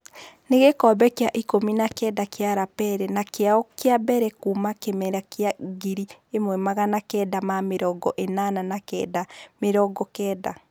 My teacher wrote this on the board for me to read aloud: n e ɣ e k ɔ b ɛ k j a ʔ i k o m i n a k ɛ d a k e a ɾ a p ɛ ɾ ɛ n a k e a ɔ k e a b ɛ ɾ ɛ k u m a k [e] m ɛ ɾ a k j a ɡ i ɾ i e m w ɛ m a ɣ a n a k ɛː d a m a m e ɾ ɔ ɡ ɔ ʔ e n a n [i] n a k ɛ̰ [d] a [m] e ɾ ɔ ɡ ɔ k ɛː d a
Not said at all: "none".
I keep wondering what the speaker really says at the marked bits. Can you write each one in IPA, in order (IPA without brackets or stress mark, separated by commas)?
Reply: e, a, d, m